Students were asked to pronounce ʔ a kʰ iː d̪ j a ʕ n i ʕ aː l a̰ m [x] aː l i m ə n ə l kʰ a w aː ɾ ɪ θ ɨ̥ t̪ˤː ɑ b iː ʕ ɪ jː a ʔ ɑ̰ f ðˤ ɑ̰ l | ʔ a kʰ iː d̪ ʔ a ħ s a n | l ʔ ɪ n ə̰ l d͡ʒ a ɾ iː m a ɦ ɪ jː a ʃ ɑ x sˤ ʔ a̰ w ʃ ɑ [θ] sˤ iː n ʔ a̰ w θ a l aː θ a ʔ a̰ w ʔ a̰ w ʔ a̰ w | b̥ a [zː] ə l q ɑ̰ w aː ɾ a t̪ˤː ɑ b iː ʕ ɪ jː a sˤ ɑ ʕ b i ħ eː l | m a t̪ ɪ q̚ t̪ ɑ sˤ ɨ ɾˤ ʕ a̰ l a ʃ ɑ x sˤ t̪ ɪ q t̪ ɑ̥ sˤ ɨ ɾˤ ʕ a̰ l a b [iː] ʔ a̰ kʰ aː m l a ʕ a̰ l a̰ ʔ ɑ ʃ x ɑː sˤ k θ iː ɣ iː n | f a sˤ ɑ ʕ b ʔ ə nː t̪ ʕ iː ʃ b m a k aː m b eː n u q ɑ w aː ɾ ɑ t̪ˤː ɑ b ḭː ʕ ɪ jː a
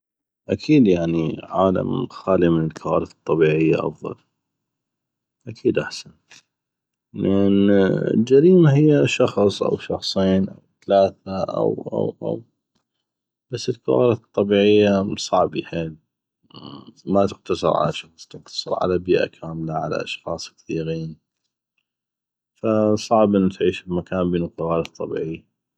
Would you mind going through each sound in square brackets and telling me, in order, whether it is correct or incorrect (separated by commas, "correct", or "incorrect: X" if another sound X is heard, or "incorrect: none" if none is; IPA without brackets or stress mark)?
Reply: correct, incorrect: x, incorrect: sː, correct